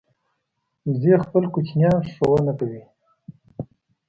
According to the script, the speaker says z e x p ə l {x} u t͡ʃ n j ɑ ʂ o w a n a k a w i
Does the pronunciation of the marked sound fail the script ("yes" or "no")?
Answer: yes